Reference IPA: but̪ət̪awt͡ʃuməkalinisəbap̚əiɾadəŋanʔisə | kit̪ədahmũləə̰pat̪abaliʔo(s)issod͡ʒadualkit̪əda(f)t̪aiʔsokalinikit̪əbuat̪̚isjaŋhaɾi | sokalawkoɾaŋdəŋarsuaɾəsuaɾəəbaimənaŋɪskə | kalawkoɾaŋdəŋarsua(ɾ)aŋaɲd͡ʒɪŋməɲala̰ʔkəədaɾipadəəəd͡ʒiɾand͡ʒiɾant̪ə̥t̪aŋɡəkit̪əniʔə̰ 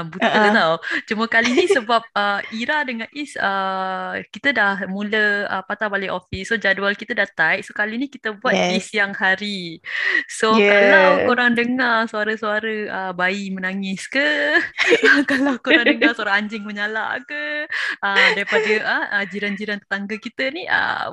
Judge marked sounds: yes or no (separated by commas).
no, no, yes